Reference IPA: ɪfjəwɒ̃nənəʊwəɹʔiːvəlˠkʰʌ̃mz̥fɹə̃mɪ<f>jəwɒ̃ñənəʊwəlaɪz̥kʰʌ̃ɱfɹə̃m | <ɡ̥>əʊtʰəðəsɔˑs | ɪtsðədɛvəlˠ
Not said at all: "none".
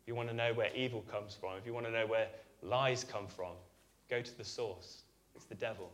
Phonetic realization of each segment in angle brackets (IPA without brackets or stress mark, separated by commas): f, ɡ̥